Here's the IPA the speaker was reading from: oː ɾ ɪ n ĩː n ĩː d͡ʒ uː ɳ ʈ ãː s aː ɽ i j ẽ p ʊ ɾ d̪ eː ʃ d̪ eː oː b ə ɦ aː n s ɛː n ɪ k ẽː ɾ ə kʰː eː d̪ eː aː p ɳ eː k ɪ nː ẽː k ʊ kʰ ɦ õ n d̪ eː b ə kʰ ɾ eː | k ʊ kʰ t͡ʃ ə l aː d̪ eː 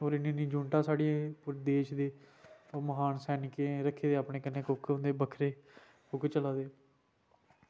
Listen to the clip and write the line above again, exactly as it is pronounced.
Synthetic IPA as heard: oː ɾ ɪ n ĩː n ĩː d͡ʒ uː ɳ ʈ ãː s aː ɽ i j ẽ p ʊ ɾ d̪ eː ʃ d̪ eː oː m ə ɦ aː n s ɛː n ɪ k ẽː ɾ ə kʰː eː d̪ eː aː p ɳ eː k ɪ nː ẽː k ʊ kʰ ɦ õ n d̪ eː b ə kʰ ɾ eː | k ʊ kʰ t͡ʃ ə l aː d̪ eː